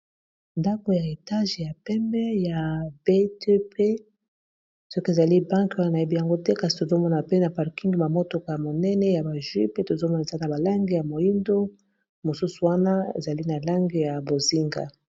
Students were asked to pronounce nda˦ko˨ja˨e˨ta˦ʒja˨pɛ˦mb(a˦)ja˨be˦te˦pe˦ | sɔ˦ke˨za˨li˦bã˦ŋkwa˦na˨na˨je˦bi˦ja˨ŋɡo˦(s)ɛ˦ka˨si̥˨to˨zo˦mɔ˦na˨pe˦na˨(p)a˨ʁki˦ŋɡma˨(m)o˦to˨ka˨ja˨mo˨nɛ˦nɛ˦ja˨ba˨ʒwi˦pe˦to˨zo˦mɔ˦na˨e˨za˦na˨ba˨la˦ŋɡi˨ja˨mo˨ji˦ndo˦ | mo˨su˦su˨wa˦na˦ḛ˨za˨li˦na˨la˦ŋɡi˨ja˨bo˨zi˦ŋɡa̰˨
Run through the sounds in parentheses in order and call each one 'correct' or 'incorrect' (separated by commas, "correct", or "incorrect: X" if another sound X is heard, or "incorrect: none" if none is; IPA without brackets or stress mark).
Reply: incorrect: ɛ˦, incorrect: t, correct, correct